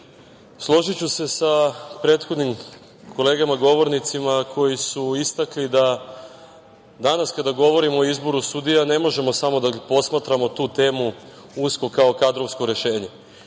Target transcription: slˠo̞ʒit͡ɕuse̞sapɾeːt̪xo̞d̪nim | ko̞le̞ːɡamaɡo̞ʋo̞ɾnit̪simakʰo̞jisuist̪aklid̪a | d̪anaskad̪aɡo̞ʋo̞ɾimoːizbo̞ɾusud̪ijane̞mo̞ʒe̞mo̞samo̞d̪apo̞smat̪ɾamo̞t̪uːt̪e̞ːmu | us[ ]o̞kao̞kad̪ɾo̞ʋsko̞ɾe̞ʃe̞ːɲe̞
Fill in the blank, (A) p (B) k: B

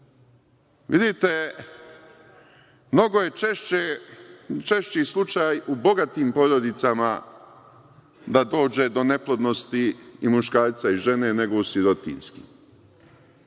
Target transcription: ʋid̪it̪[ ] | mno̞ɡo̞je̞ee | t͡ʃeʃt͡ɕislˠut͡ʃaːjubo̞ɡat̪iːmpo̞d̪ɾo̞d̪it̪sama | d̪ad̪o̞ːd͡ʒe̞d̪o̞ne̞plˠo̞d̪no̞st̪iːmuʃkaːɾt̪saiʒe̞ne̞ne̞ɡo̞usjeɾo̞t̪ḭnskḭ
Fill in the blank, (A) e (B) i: A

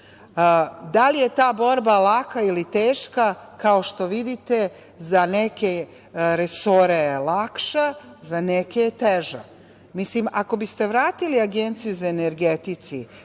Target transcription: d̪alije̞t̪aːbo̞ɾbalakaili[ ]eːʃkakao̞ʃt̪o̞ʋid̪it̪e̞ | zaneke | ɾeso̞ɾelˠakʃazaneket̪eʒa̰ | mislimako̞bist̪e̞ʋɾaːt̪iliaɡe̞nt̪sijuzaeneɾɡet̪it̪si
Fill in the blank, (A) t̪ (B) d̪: A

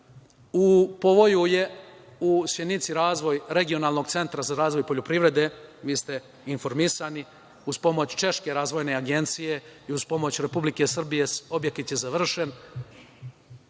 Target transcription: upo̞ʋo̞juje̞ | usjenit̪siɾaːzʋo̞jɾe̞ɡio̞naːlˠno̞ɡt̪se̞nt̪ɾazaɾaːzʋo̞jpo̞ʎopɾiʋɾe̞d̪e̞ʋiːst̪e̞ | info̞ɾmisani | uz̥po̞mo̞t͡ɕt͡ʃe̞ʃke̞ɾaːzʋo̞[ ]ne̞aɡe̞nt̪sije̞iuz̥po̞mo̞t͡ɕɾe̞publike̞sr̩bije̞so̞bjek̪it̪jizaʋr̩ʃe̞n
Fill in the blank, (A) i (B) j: B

